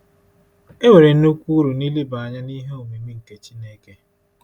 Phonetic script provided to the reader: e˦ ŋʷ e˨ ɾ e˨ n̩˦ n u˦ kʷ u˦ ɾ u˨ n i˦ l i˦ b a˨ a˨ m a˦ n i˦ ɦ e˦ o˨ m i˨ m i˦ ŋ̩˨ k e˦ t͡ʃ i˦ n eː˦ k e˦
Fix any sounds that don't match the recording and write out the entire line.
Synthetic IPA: e˦ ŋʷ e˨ ɾ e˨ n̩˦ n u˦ kʷ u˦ ɾ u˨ n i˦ l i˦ b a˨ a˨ ɲ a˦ n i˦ ɦ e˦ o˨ m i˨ m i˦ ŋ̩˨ k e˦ t͡ʃ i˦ n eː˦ k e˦

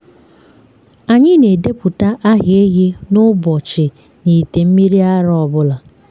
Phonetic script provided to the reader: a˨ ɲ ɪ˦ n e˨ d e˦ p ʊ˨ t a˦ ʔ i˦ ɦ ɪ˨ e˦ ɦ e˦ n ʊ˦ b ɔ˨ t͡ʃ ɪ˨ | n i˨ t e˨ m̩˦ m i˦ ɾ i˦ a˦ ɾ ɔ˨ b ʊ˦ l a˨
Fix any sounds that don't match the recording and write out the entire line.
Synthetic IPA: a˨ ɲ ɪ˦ n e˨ d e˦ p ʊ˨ t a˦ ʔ a˦ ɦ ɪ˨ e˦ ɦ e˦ n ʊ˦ b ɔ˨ t͡ʃ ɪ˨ | n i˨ t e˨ m̩˦ m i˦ ɾ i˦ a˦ ɾ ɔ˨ b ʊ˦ l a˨

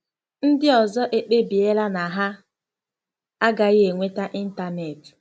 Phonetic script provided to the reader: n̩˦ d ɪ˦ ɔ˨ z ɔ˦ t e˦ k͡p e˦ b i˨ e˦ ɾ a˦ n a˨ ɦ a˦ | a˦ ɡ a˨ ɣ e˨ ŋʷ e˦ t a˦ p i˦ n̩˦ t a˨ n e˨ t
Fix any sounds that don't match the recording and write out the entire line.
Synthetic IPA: n̩˦ d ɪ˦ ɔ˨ z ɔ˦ ʔ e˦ k͡p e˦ b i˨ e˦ l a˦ n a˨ ɦ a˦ | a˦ ɡ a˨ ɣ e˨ ŋʷ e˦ t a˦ ʔ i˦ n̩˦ t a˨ n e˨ t

